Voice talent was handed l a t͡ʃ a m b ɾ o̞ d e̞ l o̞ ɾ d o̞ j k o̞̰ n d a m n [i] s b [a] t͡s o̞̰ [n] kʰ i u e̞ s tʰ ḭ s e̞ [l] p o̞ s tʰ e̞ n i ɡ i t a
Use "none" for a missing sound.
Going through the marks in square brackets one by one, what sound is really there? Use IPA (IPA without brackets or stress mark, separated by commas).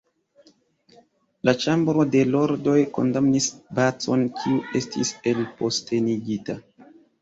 i, a, n, l